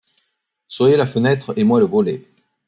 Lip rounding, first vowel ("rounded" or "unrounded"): unrounded